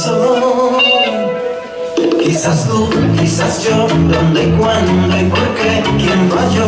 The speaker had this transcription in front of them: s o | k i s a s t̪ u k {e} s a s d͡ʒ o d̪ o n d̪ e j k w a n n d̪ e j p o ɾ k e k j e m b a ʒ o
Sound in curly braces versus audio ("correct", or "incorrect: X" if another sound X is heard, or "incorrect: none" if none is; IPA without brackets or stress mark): incorrect: i